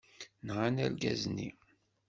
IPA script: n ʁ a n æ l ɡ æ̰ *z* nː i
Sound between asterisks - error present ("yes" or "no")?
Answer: no